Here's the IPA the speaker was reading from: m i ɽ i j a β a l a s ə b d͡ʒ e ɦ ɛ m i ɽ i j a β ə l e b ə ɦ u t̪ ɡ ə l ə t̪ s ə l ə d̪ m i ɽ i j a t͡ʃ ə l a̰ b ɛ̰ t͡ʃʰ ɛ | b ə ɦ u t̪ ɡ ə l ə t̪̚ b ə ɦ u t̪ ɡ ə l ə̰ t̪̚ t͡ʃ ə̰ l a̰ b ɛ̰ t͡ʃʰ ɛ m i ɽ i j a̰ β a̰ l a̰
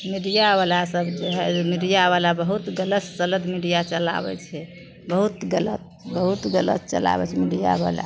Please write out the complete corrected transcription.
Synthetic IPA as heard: m i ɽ i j a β a l a s ə b d͡ʒ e ɦ ɛ m i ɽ i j a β a l a b ə ɦ u t̪ ɡ ə l ə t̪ s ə l ə d̪ m i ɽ i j a t͡ʃ ə l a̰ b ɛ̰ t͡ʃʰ ɛ | b ə ɦ u t̪ ɡ ə l ə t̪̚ b ə ɦ u t̪ ɡ ə l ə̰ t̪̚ t͡ʃ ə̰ l a̰ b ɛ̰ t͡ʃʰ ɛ m i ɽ i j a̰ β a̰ l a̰